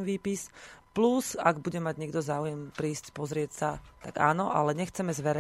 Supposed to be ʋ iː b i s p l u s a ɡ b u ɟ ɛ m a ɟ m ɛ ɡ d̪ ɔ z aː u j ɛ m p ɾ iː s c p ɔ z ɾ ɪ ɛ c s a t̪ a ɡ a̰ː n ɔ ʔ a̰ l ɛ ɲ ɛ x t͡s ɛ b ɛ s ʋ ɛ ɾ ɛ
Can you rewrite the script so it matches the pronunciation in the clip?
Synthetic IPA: ʋ iː p i s p l u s a ɡ b u ɟ ɛ m a ɟ ɲ ɛ ɡ d̪ ɔ z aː u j ɛ m p ɾ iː s c p ɔ z ɾ ɪ ɛ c s a t̪ a ɡ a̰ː n ɔ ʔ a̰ l ɛ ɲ ɛ x t͡s ɛ m ɛ z ʋ ɛ ɾ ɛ